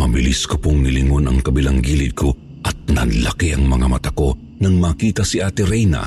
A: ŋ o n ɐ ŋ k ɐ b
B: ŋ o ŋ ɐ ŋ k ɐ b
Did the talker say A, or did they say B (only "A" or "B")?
A